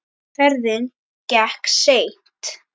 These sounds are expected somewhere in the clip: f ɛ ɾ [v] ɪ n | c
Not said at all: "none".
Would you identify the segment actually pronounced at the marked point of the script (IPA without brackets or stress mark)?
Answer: ð